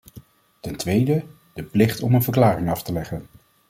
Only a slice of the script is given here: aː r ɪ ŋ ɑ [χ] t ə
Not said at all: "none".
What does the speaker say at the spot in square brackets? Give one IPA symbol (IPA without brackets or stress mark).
f